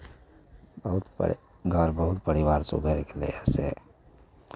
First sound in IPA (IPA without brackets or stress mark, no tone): b